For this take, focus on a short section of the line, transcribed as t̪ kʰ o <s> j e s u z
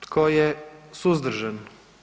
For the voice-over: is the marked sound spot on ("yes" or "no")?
no